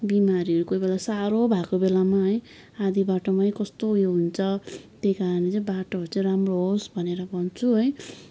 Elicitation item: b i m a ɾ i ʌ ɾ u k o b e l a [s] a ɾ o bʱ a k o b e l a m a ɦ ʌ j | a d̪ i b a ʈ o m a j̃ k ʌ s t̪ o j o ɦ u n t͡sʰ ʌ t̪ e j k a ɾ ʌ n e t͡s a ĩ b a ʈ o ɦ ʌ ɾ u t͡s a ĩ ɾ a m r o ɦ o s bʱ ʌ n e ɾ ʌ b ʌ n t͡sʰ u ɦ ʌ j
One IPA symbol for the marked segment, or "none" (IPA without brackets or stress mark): s